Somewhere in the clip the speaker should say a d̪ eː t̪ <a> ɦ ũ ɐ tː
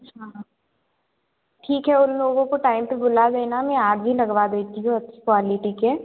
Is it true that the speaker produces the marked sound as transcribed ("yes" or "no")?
no